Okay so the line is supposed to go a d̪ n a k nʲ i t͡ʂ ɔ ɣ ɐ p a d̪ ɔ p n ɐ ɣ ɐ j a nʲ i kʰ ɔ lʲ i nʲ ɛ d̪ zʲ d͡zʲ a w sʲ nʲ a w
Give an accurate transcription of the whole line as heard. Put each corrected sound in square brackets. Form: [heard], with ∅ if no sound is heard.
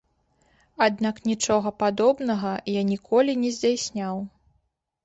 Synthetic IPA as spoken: a d̪ n a k nʲ i t͡ʂ ɔ ɣ ɐ p a d̪ ɔ [b] n ɐ ɣ ɐ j a nʲ i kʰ ɔ lʲ i nʲ ɛ [∅] zʲ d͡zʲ a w sʲ nʲ a w